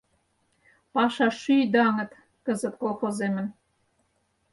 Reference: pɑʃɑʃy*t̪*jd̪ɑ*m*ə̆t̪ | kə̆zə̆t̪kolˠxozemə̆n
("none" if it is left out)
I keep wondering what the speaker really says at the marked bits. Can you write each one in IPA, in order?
none, ŋ

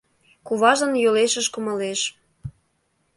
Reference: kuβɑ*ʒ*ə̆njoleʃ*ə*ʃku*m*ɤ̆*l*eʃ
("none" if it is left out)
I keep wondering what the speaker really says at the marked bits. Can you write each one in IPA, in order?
ʒ, ə, m, l

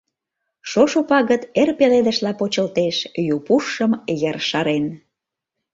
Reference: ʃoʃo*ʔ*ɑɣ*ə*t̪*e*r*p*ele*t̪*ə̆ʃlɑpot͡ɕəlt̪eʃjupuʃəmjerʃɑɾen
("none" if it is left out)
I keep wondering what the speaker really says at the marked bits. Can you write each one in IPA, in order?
p, ə, e, p, d̪

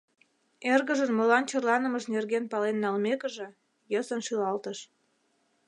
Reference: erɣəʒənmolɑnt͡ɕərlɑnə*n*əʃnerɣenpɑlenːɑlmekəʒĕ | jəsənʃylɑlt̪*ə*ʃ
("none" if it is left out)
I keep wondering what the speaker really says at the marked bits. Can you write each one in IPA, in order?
m, ə

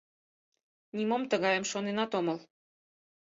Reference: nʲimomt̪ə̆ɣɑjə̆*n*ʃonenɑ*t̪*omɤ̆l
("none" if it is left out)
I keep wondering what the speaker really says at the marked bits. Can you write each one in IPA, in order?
m, t̪

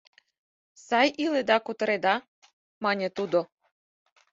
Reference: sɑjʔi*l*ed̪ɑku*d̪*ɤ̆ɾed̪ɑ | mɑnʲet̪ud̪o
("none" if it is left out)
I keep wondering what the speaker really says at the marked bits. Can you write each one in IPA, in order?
l, t̪

